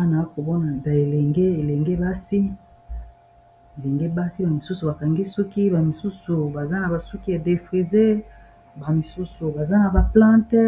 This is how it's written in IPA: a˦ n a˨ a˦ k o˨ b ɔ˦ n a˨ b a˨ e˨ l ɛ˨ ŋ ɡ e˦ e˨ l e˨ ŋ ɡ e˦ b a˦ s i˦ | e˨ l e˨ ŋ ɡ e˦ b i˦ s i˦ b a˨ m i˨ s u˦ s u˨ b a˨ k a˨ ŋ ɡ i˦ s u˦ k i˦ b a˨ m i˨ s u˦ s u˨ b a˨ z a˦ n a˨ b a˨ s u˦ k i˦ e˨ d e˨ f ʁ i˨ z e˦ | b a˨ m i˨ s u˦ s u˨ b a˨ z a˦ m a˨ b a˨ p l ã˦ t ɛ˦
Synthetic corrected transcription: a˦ n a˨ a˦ k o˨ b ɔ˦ n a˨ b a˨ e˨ l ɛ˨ ŋ ɡ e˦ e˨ l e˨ ŋ ɡ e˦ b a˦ s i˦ | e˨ l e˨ ŋ ɡ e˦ b a˦ s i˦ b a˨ m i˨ s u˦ s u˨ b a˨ k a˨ ŋ ɡ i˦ s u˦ k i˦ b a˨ m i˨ s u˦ s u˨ b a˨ z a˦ n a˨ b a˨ s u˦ k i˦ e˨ d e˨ f ʁ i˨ z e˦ | b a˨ m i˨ s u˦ s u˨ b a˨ z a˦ n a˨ b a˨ p l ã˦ t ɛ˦